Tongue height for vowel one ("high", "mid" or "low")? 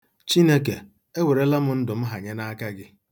high